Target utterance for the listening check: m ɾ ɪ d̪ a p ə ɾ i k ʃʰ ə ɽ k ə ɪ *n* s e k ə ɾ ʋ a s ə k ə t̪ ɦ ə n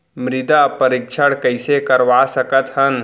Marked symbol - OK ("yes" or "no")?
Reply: no